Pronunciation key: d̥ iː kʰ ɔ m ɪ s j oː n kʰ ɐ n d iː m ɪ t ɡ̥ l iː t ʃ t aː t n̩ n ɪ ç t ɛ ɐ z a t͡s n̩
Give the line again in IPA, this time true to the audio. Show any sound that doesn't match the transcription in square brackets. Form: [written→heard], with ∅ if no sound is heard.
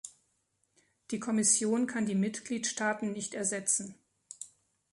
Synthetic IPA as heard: d̥ iː kʰ ɔ m ɪ s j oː n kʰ [ɐ→a] n d iː m ɪ t ɡ̥ l iː t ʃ t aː t n̩ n ɪ ç t ɛ ɐ z [a→ɛ] t͡s n̩